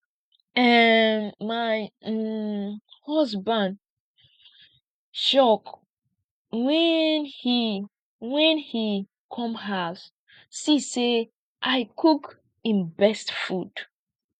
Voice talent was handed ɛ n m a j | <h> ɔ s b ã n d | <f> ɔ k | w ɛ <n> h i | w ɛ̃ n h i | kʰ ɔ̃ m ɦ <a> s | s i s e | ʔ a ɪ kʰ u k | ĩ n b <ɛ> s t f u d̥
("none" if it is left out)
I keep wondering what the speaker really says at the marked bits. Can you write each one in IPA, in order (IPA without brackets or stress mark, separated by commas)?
h, ʃ, n, a, ɛ